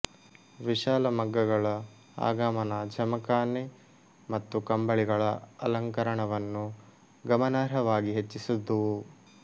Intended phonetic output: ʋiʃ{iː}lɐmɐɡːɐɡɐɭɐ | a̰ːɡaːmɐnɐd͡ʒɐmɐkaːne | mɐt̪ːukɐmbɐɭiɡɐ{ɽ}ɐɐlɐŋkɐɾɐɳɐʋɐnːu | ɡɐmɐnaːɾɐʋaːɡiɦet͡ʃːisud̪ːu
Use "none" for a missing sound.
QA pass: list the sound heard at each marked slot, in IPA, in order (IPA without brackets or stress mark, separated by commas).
aː, ɭ